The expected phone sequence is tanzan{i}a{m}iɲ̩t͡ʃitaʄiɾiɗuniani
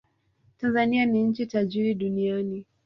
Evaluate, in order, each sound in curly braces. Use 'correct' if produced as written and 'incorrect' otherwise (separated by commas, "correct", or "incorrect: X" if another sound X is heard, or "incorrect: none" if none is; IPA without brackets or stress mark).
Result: correct, incorrect: n